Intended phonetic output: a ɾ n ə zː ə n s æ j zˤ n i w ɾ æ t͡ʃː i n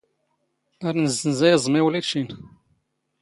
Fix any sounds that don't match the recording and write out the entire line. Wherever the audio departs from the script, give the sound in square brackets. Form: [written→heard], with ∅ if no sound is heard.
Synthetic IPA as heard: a ɾ n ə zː ə n [s→z] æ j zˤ [n→m] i w [ɾ→l] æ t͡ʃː i n